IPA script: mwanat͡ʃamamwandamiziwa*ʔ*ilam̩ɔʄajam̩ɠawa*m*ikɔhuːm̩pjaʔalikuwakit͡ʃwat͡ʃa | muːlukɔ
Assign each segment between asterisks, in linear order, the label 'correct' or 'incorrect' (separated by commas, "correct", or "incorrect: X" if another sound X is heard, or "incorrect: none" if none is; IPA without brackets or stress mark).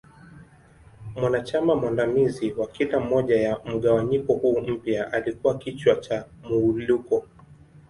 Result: incorrect: k, incorrect: ɲ